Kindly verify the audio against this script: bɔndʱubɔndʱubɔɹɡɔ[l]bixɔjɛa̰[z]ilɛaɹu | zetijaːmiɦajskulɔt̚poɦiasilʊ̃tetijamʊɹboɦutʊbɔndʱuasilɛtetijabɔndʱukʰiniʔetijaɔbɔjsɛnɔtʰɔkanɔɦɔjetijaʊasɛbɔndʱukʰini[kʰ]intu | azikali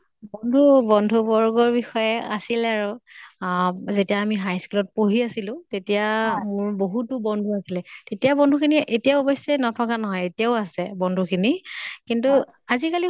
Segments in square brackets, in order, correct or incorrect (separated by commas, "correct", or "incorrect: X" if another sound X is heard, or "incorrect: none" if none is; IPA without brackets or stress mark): incorrect: ɹ, incorrect: s, incorrect: k